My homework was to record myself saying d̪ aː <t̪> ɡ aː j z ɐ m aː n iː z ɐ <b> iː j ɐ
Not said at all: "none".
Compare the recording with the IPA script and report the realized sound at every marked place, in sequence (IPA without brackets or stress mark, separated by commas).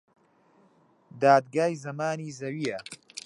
d̪, w